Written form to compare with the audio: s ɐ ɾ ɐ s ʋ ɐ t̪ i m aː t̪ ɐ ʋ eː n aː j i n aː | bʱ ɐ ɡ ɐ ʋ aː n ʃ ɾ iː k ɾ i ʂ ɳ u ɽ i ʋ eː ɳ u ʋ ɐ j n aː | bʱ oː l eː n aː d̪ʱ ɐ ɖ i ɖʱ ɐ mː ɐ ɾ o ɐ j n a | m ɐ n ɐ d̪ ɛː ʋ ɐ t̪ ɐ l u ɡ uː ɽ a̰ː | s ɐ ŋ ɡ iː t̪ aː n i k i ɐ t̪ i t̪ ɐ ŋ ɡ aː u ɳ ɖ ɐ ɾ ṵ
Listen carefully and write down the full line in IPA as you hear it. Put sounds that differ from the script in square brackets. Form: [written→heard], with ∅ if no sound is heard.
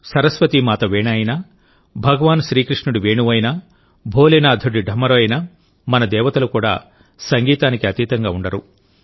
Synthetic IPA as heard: s ɐ ɾ ɐ s ʋ ɐ t̪ i m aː t̪ ɐ ʋ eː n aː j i n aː | bʱ ɐ ɡ ɐ ʋ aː n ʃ ɾ iː k ɾ i ʂ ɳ u ɽ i ʋ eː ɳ u ʋ ɐ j n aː | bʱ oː l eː n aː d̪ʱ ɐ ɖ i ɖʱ ɐ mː ɐ ɾ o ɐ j n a | m ɐ n ɐ d̪ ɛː ʋ ɐ t̪ ɐ l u [ɡ→k] uː ɽ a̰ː | s ɐ ŋ ɡ iː t̪ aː n i k i ɐ t̪ [i→iː] t̪ ɐ ŋ ɡ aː u ɳ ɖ ɐ ɾ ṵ